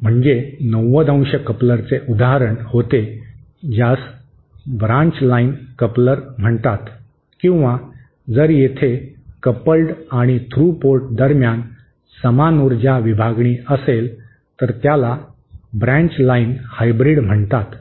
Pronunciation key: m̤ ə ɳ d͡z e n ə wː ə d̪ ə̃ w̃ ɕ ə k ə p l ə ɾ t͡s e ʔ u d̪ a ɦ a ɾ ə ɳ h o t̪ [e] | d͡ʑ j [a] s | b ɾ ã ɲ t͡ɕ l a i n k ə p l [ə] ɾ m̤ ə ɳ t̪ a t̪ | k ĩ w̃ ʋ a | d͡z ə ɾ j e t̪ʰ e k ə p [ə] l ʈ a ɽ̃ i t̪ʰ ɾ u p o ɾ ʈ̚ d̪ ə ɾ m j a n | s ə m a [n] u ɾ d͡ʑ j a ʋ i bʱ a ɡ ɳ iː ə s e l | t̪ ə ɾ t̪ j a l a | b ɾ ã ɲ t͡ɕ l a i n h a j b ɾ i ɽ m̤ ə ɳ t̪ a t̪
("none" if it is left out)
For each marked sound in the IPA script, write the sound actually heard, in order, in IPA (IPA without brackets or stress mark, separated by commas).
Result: e, a, ə, ə, n